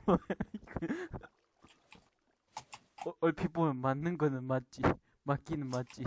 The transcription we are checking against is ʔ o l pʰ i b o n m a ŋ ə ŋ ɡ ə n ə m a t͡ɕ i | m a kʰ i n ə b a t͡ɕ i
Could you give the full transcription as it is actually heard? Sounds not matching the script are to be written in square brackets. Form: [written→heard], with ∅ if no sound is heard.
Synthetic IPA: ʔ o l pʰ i [b→p] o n m a [ŋ→n] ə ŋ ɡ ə n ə m a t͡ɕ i | m a [kʰ→k] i n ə [b→m] a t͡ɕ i